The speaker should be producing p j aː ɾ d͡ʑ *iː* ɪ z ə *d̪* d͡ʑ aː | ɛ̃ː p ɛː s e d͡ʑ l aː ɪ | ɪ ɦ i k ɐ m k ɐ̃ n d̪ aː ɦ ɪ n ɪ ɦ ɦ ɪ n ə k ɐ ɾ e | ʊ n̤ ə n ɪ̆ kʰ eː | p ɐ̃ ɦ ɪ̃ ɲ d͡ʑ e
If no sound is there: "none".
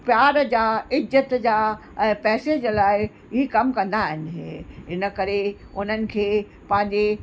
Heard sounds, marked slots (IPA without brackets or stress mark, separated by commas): aː, t̪